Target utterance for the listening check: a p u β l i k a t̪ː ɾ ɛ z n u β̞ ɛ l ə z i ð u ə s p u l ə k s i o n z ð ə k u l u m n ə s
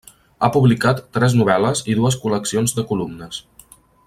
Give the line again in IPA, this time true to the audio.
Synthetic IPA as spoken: a p u β l i k a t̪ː ɾ ɛ z n u β̞ ɛ l ə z i ð u ə s k u l ə k s i o n z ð ə k u l u m n ə s